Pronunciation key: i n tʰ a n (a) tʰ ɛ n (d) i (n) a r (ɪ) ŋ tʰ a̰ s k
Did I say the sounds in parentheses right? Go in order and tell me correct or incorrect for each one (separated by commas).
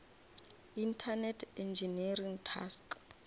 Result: incorrect, incorrect, correct, incorrect